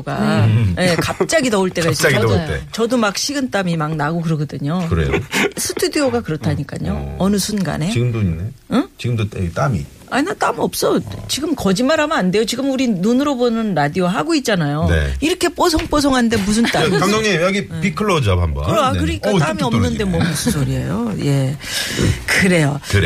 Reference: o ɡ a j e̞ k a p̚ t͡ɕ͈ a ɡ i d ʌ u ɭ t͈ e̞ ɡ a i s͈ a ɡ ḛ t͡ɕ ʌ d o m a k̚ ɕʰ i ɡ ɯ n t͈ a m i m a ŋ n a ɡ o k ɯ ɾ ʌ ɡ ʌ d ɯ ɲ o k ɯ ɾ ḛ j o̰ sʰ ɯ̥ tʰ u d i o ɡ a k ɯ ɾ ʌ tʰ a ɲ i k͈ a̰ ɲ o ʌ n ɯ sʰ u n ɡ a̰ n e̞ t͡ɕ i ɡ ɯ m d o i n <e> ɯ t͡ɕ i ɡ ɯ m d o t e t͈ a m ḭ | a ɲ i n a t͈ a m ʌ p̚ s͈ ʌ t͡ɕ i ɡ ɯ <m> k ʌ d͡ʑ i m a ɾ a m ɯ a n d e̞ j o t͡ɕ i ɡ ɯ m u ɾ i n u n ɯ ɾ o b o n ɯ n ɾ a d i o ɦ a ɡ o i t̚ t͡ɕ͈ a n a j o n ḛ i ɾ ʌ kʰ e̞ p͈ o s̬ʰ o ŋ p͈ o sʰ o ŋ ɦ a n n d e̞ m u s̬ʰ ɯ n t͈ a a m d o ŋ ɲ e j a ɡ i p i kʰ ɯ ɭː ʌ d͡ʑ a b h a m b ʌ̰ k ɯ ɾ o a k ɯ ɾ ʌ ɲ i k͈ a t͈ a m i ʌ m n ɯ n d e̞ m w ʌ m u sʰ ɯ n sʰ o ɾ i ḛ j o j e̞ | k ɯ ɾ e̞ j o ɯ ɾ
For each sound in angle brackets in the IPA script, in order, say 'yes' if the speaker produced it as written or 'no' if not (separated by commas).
yes, yes